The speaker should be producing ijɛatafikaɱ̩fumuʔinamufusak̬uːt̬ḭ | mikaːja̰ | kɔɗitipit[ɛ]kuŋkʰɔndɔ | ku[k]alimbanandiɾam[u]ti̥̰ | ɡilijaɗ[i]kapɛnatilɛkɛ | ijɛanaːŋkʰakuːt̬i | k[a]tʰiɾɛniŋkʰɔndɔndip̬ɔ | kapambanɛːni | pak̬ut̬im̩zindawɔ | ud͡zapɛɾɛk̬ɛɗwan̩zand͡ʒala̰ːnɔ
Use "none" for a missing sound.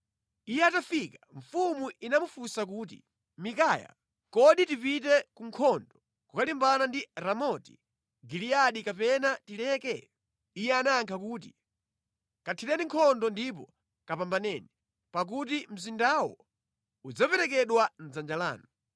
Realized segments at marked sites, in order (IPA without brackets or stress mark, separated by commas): ɛ, k, ɔ, i, a